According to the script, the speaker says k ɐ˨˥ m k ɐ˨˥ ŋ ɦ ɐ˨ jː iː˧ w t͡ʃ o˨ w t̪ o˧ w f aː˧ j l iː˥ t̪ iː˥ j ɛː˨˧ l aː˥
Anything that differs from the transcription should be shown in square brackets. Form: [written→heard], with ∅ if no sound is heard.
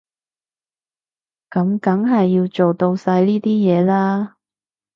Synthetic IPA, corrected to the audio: k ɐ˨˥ m k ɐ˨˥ ŋ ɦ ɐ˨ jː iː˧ w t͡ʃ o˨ w t̪ o˧ w [f→s] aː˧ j l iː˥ t̪ iː˥ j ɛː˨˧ l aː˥